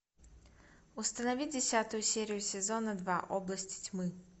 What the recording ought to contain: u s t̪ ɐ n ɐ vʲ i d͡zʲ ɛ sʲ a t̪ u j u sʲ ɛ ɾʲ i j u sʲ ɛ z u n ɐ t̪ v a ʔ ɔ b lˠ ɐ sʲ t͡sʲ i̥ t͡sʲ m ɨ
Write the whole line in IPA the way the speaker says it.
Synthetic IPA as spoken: u s t̪ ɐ n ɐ vʲ i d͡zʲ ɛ sʲ a t̪ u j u sʲ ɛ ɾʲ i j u sʲ ɛ z ɔ n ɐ d̪ v a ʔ ɔ b lˠ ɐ sʲ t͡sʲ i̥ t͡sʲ m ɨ